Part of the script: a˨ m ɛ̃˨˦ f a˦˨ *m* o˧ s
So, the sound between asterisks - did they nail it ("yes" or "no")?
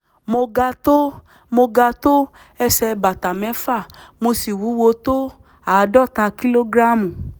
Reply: yes